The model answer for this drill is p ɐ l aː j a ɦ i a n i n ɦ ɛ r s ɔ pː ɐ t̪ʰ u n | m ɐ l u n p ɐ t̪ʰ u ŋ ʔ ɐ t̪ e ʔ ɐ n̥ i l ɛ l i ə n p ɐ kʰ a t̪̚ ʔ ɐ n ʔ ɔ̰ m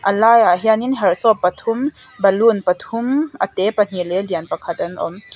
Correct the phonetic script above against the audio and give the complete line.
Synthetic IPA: ʔ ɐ l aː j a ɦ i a n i n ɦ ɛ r s ɔ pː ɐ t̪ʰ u m | b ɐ l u n p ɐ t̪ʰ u m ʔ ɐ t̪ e p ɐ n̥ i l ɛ l i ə n p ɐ kʰ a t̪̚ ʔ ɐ n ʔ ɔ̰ m